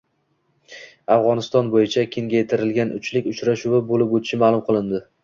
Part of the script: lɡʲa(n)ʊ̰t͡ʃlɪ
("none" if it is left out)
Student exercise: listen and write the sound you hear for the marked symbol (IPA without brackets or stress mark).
n